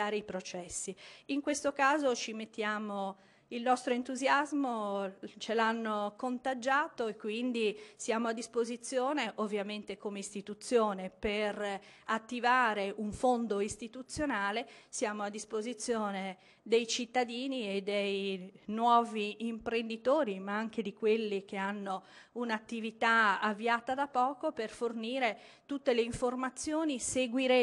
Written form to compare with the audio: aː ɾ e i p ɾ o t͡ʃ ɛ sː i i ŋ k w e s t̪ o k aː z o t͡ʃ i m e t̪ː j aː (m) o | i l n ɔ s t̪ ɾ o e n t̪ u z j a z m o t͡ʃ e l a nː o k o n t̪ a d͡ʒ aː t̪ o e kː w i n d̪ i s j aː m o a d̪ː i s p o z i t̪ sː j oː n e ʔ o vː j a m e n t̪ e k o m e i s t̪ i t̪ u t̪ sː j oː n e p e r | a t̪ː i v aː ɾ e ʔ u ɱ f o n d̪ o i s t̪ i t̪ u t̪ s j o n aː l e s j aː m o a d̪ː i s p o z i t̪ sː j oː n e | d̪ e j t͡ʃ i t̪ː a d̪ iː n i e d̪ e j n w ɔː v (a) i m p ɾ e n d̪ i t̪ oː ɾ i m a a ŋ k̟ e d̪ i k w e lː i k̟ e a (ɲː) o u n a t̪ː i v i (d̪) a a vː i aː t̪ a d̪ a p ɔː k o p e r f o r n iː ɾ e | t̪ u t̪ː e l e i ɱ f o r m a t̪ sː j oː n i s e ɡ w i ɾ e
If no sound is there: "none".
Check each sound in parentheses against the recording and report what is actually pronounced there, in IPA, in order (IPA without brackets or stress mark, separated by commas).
m, i, nː, t̪